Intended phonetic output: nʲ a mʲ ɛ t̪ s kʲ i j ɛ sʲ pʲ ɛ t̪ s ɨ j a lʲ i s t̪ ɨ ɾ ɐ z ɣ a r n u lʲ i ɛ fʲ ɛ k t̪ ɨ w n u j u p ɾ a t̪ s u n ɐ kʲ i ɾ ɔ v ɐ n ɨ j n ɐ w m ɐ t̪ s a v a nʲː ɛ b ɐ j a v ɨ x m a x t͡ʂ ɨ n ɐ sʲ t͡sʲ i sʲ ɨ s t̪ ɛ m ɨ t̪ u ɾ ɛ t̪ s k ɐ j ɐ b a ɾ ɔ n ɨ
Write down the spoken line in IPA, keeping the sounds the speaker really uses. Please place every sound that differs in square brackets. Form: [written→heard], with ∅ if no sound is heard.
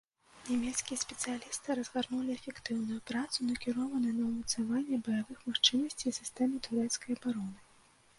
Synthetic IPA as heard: nʲ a mʲ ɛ t̪ s kʲ i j ɛ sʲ pʲ ɛ t̪ s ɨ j a lʲ i s t̪ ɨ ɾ ɐ z ɣ a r n u lʲ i ɛ fʲ ɛ k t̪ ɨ w n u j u p ɾ a t̪ s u n ɐ kʲ i ɾ ɔ v ɐ n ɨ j n ɐ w m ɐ t̪ s a v a nʲː ɛ b ɐ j a v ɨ x m a x t͡ʂ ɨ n ɐ sʲ t͡sʲ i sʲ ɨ s t̪ ɛ m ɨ t̪ u ɾ ɛ t̪ s k ɐ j ɐ b a ɾ ɔ n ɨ